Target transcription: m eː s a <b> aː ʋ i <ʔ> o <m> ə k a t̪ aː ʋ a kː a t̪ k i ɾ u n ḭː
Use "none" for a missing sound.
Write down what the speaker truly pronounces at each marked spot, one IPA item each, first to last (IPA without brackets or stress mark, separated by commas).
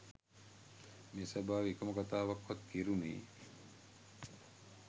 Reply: b, k, m